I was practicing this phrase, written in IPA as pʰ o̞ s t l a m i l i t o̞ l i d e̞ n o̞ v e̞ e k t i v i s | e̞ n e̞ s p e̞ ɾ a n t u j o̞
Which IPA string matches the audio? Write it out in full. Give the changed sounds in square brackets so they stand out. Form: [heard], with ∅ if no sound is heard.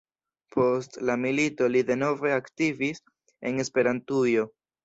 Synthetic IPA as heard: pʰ o̞ s t l a m i l i t o̞ l i d e̞ n o̞ v e̞ [a] k t i v i s | e̞ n e̞ s p e̞ ɾ a n t u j o̞